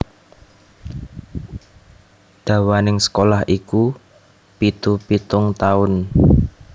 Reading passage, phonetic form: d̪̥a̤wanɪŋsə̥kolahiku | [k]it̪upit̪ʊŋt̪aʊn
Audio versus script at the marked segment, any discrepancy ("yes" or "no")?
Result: yes